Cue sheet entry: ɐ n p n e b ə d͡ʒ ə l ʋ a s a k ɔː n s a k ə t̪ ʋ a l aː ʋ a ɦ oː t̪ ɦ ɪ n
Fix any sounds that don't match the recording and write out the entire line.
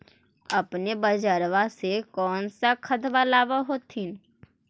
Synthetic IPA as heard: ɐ p n e b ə d͡ʒ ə ɾ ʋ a s e k ɔː n s a kʰ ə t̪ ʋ a l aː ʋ a ɦ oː t̪ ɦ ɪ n